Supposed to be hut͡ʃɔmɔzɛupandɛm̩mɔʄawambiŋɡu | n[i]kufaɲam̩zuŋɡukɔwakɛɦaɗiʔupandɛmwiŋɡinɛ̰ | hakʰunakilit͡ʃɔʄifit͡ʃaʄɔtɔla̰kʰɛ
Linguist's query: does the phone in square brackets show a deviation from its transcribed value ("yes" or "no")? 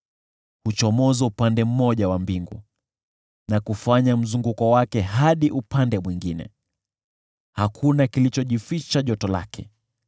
yes